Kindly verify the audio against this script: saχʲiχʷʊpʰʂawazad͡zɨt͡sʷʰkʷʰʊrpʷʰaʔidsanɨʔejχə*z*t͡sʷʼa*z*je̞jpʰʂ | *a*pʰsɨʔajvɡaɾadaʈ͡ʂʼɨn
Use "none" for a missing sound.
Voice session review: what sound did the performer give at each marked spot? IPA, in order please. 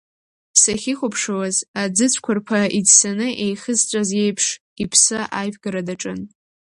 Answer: z, z, i

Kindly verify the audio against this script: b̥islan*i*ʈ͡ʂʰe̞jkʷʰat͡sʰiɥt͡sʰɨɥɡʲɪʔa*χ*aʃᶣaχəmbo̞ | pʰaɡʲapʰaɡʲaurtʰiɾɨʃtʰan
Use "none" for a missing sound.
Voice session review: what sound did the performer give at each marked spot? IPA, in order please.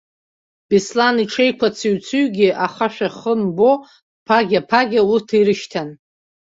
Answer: i, χ

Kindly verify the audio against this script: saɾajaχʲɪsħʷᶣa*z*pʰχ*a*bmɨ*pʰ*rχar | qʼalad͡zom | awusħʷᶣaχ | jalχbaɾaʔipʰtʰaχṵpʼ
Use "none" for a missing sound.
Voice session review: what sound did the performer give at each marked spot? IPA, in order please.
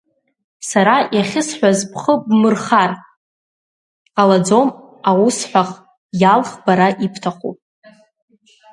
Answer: z, ə, none

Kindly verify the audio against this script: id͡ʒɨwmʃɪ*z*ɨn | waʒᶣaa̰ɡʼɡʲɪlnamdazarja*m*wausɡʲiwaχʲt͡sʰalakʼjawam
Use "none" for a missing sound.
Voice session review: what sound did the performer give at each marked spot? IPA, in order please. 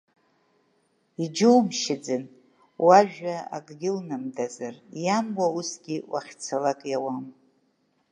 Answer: d͡z, m

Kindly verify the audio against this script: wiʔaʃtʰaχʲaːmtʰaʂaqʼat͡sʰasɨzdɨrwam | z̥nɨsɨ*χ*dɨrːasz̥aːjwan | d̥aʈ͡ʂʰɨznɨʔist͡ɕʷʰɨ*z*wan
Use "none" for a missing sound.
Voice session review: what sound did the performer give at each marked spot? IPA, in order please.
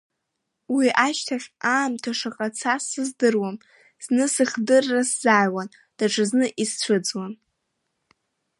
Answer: χ, d͡z

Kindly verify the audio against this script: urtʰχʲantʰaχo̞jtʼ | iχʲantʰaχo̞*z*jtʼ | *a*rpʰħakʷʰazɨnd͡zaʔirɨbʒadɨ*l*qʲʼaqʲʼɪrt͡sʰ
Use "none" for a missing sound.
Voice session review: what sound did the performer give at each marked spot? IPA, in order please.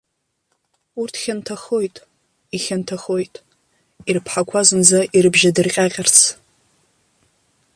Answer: none, i, r

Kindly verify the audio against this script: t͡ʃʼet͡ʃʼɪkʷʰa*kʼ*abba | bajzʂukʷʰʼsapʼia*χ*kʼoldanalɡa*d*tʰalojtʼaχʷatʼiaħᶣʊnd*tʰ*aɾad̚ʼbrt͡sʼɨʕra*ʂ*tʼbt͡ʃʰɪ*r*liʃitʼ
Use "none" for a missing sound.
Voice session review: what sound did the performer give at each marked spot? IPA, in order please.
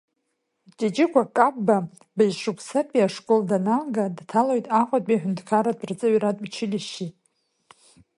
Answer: kʼ, ʂ, d, kʰ, none, none

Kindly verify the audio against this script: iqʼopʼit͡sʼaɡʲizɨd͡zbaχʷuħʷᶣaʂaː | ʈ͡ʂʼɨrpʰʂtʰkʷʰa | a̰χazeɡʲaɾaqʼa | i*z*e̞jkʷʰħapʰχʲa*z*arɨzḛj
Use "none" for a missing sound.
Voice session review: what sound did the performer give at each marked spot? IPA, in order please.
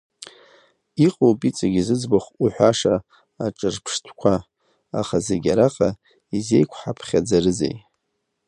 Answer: z, d͡z

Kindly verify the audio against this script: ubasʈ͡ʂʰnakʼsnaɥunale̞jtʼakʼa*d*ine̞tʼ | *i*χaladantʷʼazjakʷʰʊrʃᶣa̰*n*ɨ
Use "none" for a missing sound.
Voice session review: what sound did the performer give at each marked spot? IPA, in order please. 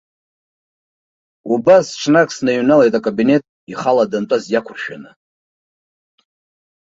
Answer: b, i, n

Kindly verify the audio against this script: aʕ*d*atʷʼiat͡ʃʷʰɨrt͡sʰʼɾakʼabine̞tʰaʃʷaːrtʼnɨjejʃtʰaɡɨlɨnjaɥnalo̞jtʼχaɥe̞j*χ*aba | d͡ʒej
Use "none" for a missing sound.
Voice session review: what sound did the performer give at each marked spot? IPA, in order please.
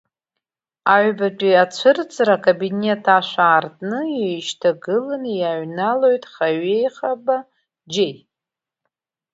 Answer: b, χ

